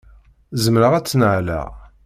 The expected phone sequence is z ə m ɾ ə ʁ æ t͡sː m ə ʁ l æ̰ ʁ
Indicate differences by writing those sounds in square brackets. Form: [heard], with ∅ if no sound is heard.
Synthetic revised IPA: z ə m ɾ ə ʁ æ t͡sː [n] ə [ʕ] l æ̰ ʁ